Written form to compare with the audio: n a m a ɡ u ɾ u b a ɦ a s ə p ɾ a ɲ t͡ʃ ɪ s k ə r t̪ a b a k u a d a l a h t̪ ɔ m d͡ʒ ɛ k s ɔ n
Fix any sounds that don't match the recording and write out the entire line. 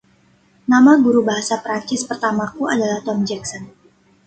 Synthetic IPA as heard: n a m a ɡ u ɾ u b a ɦ a s a p ɾ a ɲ t͡ʃ ɪ s p ə r t̪ a m a k u a d a l a h t̪ ɔ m d͡ʒ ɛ k s ɔ n